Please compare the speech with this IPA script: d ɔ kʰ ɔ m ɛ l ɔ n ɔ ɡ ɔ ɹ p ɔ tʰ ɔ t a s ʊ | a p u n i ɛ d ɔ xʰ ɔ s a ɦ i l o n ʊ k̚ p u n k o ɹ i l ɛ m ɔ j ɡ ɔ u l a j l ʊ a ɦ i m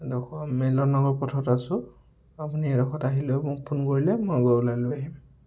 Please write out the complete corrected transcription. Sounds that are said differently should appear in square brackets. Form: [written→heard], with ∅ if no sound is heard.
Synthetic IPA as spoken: d ɔ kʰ ɔ m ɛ l ɔ n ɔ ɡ ɔ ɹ p ɔ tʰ ɔ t a s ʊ | a p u n i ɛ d ɔ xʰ ɔ [s→t] a ɦ i l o [n→m] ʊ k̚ [p→pʰ] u n k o ɹ i l ɛ m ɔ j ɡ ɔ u l a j l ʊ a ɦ i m